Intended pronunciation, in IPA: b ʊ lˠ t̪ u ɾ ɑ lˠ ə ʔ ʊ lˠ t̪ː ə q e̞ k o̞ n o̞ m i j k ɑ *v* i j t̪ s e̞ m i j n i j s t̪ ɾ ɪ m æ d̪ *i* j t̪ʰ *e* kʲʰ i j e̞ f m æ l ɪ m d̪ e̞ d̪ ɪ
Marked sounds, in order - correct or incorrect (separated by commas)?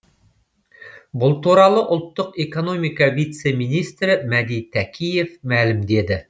correct, correct, incorrect